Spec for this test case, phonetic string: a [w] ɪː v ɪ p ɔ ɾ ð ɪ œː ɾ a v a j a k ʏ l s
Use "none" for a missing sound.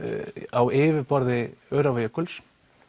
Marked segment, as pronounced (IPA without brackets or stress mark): w